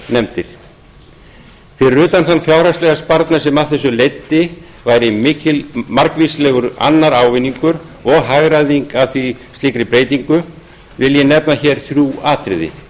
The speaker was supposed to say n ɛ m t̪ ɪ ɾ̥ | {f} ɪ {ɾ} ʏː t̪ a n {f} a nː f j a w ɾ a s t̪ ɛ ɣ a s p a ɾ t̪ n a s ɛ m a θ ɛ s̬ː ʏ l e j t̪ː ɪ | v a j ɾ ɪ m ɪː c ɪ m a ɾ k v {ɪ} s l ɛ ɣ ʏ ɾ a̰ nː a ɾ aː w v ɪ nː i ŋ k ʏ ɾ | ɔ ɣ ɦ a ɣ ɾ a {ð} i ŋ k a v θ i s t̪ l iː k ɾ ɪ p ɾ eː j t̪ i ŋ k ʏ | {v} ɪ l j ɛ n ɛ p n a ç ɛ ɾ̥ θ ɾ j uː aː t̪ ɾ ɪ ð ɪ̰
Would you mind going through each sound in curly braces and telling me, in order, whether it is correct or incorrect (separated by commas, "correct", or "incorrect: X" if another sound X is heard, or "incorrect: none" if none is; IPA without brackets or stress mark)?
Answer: incorrect: θ, incorrect: r, incorrect: θ, incorrect: i, correct, correct